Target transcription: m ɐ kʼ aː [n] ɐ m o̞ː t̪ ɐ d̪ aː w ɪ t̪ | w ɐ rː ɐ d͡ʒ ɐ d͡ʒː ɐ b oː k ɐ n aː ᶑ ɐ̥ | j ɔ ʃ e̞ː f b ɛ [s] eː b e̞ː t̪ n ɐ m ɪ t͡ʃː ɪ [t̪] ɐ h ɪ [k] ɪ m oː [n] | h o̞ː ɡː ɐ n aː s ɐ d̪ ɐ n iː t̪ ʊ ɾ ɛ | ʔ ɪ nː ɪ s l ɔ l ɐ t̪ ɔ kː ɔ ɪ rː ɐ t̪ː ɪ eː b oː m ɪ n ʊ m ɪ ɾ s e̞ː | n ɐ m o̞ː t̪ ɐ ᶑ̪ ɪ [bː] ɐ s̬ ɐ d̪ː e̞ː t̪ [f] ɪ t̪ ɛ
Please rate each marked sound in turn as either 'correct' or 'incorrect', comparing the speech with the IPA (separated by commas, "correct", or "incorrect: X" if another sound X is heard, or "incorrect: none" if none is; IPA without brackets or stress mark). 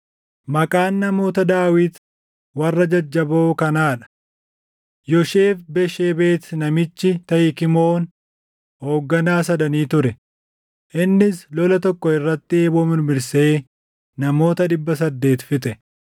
incorrect: nː, incorrect: ʃ, correct, correct, correct, correct, correct